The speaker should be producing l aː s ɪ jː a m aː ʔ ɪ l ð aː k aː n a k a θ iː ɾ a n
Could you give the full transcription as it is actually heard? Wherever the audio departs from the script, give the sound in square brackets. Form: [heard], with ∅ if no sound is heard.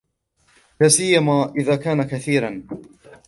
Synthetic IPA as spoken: l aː s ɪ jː a m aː ʔ ɪ [∅] ð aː k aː n a k a θ iː ɾ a n